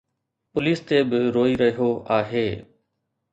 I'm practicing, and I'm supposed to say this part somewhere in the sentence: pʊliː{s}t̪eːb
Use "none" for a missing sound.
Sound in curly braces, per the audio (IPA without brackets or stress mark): s